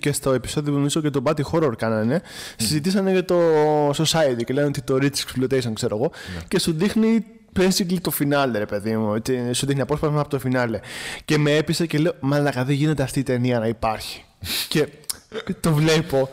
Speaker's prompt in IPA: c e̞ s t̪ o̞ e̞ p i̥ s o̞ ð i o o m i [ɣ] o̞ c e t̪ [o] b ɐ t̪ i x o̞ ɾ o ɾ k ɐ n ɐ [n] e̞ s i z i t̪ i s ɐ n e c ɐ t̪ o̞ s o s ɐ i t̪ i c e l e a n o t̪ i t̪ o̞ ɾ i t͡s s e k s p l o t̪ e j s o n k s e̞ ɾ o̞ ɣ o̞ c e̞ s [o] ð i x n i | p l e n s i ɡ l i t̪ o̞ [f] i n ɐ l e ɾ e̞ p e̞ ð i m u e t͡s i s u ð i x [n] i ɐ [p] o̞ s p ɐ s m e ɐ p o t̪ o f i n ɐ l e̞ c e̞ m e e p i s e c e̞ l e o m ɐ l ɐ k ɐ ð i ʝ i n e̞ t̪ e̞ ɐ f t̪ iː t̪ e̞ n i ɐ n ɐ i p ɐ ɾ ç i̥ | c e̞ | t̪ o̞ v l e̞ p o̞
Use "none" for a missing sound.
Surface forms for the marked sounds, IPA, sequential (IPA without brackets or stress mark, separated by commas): z, o, n, u, f, n, p